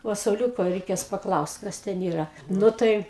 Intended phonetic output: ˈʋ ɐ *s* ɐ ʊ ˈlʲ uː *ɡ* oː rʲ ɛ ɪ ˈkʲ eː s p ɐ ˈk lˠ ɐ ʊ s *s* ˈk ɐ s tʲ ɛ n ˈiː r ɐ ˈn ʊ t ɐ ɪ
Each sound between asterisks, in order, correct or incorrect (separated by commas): correct, incorrect, incorrect